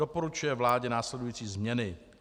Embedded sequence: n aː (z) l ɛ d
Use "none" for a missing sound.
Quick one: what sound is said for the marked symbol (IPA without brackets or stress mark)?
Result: s